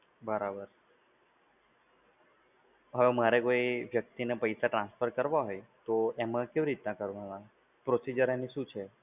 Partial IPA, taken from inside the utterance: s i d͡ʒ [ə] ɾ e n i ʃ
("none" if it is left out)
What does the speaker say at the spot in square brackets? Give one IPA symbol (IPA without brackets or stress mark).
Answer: ə